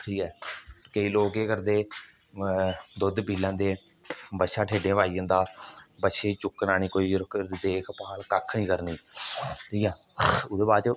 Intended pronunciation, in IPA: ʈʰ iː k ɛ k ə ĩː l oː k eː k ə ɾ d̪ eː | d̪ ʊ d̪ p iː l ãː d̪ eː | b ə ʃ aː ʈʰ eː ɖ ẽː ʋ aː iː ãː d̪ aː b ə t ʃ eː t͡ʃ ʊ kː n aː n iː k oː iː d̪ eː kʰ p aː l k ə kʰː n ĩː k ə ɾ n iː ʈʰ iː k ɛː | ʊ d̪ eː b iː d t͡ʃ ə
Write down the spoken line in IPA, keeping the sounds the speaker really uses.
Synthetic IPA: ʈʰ iː k ɛː k ə iː l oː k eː k ə ɾ d̪ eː | d̪ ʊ d̪ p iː l ãː d̪ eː | b ə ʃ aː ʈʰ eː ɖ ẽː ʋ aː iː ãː d̪ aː b ə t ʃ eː t͡ʃ ʊ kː n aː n iː k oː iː d̪ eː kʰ p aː l k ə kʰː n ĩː k ə ɾ n iː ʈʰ iː k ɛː | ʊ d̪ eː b aː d t͡ʃ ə